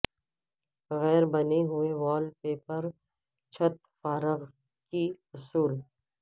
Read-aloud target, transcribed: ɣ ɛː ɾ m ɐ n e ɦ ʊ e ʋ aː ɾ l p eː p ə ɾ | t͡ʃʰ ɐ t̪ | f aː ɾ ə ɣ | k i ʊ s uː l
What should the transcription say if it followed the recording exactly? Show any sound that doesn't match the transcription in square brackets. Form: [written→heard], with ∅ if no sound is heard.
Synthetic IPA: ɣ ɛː ɾ [m→b] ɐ n e ɦ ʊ e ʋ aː [ɾ→∅] l p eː p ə ɾ | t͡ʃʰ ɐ t̪ | f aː ɾ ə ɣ | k i ʊ s uː l